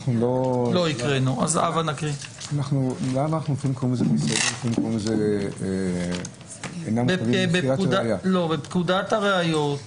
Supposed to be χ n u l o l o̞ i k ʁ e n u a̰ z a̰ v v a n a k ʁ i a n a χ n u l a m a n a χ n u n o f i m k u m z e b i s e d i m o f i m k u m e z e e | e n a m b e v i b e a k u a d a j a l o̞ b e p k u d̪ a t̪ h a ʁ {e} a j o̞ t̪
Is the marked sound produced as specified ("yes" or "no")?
yes